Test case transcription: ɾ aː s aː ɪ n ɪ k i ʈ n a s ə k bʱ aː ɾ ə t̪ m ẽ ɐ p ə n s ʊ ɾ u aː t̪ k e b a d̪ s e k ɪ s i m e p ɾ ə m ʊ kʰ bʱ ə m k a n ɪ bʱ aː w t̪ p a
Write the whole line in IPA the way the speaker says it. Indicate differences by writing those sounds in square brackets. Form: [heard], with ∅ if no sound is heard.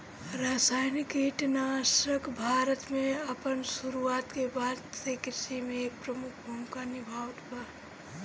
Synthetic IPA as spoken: ɾ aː s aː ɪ n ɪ k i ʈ n a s ə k bʱ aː ɾ ə t̪ m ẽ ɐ p ə n s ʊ ɾ u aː t̪ k e b a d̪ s e k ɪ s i m e p ɾ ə m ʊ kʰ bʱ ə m k a n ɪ bʱ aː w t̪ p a